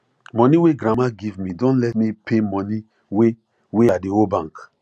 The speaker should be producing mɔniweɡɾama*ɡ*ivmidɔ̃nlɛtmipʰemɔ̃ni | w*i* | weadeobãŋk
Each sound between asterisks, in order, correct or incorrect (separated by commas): correct, incorrect